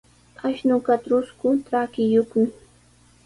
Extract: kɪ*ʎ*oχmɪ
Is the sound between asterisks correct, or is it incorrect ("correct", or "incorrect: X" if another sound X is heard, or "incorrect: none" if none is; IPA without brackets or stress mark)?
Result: incorrect: j